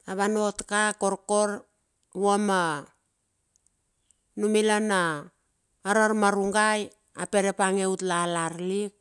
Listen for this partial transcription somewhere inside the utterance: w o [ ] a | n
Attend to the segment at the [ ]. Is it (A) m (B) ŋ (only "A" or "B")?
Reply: A